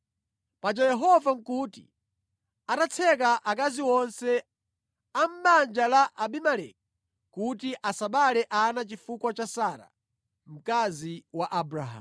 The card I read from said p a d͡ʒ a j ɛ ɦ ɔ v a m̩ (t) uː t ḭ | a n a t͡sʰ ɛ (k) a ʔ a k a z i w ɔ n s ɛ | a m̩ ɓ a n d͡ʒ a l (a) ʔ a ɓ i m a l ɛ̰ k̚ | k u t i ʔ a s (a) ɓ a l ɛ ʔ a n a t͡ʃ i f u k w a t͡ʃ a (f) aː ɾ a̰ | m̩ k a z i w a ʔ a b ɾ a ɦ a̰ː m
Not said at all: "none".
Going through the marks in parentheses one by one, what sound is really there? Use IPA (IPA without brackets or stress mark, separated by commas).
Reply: k, k, a, a, s